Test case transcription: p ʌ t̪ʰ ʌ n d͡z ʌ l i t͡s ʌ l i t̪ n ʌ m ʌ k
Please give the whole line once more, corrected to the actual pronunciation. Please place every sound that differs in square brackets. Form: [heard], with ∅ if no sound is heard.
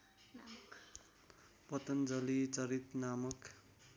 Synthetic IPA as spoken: p ʌ [t̪] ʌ n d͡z ʌ l i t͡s ʌ [ɾ] i t̪ n [a] m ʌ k